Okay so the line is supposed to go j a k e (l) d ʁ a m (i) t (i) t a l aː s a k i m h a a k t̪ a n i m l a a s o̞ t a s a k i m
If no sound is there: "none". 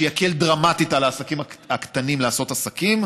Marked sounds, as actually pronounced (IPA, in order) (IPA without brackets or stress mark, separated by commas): l, a, i